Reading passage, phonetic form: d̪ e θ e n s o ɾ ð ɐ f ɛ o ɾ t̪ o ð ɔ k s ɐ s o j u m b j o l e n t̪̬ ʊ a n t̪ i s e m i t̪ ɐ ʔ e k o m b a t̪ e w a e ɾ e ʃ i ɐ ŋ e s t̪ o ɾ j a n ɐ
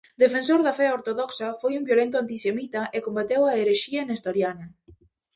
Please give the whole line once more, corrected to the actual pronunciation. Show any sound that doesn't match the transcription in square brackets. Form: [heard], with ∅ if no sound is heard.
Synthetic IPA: d̪ e [f] e n s o ɾ ð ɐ f ɛ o ɾ t̪ o ð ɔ k s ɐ [f] o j u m b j o l e n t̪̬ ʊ a n t̪ i s e m i t̪ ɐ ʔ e k o m b a t̪ e w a e ɾ e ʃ i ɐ [n] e s t̪ o ɾ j a n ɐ